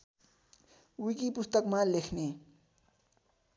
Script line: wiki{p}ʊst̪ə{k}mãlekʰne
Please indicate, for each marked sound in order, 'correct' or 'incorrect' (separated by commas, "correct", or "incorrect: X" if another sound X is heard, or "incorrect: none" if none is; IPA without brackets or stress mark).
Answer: correct, correct